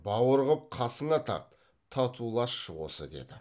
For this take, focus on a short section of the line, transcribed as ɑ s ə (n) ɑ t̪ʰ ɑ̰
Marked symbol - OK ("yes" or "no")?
no